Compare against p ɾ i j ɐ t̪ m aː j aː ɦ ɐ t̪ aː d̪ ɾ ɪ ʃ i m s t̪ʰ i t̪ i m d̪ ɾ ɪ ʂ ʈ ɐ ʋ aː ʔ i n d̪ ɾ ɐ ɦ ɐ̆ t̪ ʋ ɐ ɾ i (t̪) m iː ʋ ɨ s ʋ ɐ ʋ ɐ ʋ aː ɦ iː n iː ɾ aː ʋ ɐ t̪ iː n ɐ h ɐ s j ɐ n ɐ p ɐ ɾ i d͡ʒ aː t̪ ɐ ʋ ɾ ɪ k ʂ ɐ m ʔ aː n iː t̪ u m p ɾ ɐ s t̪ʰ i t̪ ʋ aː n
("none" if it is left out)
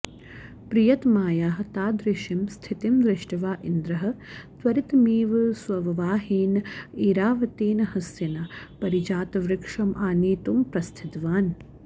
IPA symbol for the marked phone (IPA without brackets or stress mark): t̪